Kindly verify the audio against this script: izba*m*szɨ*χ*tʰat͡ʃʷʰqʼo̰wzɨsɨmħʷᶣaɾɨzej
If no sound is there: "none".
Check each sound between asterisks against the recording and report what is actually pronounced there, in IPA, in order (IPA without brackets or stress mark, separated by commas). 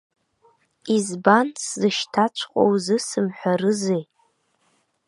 n, ʃ